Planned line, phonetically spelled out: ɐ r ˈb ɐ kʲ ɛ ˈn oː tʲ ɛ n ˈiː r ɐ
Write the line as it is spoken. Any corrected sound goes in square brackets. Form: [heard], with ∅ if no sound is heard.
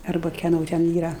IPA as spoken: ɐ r ˈb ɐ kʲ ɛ ˈn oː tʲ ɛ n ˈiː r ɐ